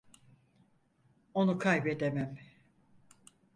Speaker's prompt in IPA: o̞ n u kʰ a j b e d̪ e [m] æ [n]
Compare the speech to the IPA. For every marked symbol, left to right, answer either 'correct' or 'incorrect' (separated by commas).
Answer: correct, incorrect